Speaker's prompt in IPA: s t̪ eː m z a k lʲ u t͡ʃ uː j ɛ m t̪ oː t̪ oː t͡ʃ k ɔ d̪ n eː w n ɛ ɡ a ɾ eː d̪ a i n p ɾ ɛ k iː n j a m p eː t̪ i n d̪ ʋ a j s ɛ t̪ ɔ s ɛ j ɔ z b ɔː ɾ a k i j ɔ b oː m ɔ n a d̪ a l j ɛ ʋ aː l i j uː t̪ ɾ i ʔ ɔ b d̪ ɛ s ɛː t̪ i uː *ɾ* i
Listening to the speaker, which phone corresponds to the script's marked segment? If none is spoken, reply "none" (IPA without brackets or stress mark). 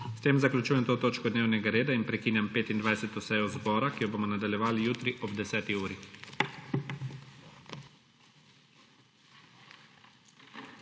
ɾ